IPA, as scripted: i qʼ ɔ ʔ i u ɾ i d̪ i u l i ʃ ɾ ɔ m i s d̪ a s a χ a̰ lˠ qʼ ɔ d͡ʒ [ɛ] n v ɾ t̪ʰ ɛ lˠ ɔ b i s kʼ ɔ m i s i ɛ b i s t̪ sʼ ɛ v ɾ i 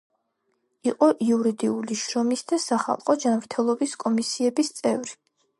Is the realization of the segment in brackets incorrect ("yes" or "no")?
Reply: yes